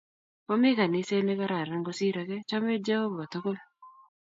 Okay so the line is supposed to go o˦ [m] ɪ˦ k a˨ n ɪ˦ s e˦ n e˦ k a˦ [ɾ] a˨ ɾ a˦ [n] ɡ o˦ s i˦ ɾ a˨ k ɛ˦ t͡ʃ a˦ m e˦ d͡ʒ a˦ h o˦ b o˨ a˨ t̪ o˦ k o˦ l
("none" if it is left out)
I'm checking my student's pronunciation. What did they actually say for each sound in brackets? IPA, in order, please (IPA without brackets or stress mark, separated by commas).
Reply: m, ɾ, ŋ